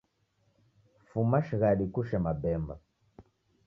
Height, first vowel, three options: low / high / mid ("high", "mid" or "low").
high